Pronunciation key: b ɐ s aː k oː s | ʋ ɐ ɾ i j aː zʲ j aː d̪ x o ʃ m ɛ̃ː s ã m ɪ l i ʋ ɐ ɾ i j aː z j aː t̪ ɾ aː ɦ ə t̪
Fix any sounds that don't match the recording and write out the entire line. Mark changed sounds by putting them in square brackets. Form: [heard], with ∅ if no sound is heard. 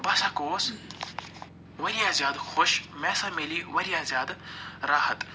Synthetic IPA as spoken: b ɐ s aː k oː s | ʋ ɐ ɾ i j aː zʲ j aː d̪ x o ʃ m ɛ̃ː s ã m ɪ l i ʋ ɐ ɾ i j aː z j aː [d̪] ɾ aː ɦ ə t̪